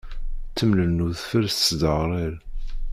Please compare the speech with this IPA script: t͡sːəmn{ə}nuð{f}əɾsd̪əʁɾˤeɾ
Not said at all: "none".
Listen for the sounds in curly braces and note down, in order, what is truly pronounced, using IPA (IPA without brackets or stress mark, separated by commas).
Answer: ə, f